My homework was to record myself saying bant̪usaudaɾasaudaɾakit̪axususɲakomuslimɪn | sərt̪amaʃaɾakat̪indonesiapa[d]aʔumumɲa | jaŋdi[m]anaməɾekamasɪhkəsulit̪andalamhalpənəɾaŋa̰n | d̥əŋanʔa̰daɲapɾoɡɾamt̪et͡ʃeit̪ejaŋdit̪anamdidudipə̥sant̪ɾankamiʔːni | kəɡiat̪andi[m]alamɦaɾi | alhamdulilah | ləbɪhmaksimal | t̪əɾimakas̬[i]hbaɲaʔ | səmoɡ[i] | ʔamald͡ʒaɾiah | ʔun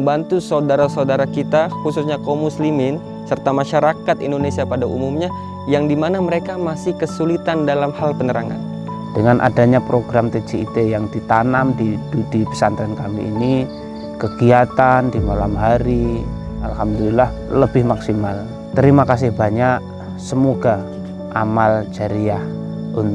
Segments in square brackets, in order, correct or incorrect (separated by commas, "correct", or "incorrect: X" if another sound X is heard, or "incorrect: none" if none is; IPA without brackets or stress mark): correct, correct, correct, incorrect: ɪ, incorrect: a